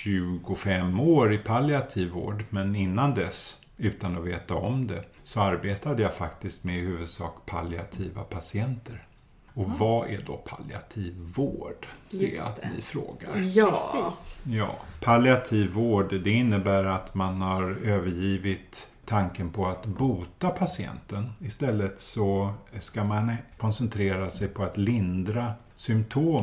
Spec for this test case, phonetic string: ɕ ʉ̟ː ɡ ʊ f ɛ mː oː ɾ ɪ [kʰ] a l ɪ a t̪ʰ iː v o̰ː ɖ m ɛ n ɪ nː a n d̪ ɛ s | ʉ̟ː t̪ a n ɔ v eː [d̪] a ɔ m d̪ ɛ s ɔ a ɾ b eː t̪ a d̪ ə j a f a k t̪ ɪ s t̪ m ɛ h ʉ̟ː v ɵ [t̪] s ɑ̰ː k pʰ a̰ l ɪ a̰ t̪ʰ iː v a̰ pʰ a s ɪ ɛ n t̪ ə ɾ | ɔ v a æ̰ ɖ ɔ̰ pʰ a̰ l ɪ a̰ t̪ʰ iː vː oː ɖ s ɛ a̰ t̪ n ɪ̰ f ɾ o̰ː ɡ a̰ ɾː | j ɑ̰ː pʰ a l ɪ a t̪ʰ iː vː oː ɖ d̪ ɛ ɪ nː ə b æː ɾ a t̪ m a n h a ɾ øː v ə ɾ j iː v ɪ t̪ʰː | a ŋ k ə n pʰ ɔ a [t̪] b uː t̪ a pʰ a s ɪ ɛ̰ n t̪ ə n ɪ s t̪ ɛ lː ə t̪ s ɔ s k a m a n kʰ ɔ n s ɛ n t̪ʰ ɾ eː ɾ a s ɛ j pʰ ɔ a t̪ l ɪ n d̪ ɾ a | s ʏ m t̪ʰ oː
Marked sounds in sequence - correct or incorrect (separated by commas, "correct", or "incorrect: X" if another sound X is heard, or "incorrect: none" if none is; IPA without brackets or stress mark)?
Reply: incorrect: pʰ, incorrect: t̪, incorrect: d̪, correct